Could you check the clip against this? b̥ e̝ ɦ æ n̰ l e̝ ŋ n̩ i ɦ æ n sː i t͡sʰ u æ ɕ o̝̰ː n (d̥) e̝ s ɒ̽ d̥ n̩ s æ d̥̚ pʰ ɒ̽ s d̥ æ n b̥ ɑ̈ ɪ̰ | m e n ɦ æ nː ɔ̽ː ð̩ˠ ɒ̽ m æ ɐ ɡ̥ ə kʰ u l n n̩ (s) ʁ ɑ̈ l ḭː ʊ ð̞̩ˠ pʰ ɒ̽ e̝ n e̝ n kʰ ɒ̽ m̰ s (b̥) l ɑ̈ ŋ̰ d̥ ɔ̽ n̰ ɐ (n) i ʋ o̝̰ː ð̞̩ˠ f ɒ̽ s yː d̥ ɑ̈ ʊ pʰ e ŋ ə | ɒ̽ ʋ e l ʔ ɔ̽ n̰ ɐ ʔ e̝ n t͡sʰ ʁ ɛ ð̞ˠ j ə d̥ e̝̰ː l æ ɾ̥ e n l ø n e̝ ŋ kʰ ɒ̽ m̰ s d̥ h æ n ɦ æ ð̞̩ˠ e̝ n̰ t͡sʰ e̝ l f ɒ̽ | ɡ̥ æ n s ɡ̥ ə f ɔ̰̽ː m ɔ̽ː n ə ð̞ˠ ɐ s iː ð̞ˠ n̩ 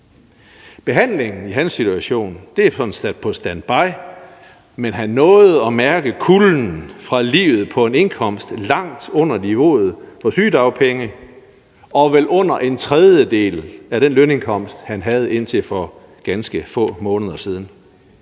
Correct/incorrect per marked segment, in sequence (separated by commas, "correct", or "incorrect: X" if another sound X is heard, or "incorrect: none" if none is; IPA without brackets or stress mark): correct, incorrect: f, incorrect: d̥, correct